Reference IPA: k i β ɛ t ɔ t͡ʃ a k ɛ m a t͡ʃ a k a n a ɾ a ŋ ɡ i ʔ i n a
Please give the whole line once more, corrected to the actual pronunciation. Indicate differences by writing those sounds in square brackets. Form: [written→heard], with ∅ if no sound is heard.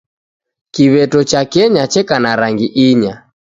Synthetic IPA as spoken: k i β ɛ t ɔ t͡ʃ a k ɛ [m→ɲ] a t͡ʃ [a→ɛ] k a n a ɾ a ŋ ɡ i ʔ i [n→ɲ] a